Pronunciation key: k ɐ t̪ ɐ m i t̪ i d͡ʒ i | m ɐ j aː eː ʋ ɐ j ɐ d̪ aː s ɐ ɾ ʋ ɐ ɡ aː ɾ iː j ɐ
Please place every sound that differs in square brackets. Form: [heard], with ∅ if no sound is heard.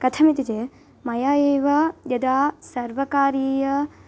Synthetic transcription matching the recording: k ɐ [t̪ʰ] ɐ m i t̪ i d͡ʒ [e] | m ɐ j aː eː ʋ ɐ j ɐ d̪ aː s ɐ ɾ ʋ ɐ [k] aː ɾ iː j ɐ